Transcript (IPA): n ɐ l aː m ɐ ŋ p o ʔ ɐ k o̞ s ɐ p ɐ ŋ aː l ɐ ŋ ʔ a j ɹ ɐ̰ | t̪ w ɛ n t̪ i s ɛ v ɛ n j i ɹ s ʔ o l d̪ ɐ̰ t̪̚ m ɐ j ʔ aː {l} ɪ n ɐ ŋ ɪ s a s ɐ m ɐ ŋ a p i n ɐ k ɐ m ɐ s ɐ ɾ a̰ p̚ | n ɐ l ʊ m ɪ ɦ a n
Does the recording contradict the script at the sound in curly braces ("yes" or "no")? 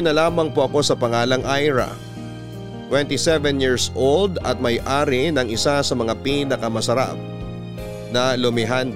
yes